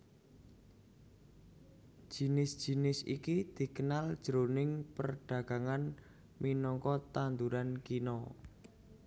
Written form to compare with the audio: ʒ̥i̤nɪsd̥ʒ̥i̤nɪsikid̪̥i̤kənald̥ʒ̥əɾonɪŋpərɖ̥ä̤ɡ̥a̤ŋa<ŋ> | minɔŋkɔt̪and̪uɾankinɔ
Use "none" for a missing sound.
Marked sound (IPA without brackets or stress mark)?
n